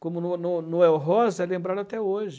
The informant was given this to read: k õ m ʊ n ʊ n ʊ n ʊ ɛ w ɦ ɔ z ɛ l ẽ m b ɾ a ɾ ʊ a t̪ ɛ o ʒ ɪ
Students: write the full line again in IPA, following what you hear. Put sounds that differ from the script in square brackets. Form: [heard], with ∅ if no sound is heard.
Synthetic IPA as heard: k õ m ʊ n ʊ n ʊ n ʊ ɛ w ɦ ɔ z ɛ l ẽ m b ɾ a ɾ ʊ a t̪ ɛ o ʒ ɪ